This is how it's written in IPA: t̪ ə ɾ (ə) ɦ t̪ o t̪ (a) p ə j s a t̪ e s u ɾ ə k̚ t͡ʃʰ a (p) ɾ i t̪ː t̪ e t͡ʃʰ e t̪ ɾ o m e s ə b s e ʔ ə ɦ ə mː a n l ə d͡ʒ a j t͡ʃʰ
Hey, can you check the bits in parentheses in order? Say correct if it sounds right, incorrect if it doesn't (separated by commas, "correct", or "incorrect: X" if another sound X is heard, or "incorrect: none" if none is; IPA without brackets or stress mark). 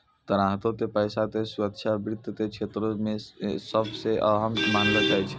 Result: incorrect: a, incorrect: e, incorrect: b